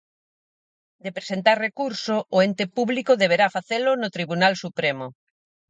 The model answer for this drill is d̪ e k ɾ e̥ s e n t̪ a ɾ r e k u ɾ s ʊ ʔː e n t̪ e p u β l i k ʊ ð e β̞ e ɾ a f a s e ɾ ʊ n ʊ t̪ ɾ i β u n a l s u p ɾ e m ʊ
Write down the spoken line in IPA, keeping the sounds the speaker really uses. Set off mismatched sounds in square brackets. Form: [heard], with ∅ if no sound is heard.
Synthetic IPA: d̪ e [p] ɾ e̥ s e n t̪ a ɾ r e k u ɾ s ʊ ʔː e n t̪ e p u β l i k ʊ ð e β̞ e ɾ a f a [θ] e [l] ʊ n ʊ t̪ ɾ i β u n a l s u p ɾ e m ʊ